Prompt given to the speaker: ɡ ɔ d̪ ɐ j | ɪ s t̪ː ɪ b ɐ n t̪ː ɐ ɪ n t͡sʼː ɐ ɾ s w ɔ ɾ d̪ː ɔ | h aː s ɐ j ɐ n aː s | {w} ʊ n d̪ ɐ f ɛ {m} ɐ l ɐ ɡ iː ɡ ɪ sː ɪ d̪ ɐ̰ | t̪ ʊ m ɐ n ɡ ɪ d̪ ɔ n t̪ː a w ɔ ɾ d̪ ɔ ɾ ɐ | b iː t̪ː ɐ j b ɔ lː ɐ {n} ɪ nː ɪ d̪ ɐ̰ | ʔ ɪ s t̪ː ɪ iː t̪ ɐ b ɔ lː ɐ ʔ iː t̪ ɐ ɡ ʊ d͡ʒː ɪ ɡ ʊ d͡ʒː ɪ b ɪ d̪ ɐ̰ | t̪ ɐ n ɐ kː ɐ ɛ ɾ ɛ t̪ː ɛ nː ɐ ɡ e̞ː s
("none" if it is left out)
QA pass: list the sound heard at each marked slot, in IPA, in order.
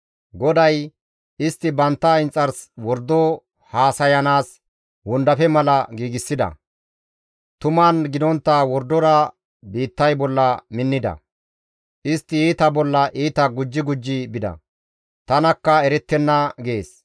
w, m, m

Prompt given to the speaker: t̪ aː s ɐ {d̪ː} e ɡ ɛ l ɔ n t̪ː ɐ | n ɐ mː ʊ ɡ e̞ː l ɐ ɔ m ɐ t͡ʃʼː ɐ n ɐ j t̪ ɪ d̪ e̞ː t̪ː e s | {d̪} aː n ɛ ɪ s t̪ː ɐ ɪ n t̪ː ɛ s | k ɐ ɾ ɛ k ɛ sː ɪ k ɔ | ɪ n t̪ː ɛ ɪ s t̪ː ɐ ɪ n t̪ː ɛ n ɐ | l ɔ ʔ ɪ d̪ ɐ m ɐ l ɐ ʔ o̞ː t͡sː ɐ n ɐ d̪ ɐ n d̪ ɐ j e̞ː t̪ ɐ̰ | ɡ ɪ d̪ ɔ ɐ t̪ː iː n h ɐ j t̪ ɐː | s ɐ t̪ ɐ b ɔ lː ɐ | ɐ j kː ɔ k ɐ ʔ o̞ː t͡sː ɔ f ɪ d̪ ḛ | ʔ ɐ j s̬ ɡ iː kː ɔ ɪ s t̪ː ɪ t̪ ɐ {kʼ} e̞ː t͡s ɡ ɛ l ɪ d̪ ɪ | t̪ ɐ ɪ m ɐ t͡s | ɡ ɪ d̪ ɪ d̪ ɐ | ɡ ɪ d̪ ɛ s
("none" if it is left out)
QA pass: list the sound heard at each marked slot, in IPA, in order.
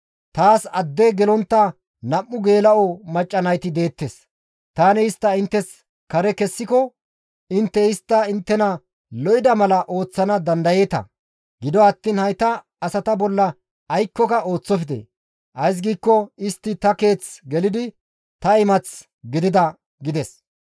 d̪ː, t̪, k

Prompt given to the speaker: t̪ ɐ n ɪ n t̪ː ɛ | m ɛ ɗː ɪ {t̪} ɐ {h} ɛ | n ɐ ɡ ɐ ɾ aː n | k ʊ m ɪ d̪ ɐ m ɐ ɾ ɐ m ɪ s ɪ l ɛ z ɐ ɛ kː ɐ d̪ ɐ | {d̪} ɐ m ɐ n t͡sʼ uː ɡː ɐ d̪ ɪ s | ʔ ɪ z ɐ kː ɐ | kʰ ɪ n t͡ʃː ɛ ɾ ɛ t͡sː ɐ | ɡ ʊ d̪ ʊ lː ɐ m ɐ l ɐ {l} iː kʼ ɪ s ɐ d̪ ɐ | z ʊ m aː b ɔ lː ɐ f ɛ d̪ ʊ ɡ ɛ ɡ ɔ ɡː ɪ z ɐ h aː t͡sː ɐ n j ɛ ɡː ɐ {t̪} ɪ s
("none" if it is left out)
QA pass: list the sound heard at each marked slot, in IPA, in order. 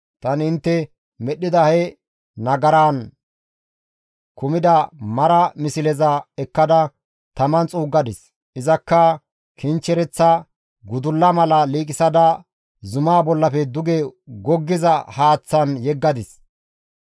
d̪, h, t̪, l, d̪

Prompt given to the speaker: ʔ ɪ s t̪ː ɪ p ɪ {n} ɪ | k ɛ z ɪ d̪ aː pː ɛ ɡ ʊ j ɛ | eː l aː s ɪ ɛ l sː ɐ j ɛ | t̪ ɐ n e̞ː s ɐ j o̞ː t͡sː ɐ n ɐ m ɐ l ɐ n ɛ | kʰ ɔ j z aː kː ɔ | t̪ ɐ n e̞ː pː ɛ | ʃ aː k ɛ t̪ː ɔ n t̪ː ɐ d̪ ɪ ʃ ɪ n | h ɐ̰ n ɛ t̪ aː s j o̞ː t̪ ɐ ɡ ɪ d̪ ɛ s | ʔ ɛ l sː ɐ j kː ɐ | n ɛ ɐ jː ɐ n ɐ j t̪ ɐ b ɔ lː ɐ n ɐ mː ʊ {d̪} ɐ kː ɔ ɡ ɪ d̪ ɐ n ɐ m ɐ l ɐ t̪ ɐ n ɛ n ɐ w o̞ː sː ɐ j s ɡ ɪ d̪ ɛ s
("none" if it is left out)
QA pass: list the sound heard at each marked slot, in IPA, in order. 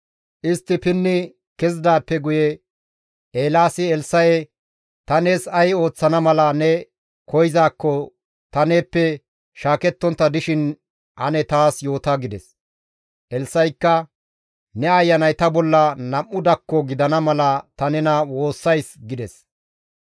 nː, d̪

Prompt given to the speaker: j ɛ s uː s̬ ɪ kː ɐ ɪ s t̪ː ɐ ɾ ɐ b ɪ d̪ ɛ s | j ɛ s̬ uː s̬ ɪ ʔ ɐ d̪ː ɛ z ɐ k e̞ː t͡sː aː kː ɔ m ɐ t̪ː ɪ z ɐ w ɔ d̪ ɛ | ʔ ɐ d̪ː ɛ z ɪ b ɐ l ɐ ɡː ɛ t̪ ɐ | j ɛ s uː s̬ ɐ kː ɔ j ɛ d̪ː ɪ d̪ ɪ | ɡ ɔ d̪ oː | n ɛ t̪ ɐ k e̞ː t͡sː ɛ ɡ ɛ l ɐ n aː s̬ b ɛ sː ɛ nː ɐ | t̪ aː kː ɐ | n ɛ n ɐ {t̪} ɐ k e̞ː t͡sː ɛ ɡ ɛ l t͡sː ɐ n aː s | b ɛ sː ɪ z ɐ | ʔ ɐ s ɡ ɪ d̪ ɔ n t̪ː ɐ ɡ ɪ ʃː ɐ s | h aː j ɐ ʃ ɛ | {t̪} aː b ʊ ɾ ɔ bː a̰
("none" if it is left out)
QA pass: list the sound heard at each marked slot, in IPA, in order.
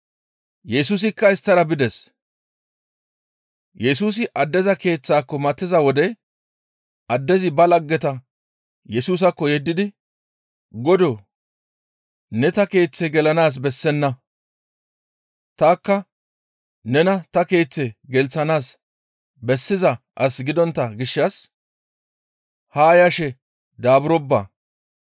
t̪, d̪

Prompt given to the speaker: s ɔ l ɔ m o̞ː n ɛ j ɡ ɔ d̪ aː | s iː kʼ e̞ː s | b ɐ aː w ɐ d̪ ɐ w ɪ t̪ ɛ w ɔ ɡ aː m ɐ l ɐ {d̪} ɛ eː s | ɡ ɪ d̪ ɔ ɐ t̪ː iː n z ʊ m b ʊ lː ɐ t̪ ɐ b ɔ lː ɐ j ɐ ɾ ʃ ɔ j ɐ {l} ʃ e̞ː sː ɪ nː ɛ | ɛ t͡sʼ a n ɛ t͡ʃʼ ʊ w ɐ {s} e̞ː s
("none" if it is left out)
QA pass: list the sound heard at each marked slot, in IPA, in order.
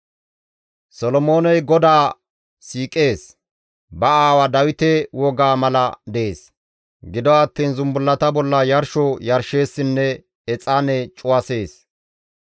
d̪, ɾ, s

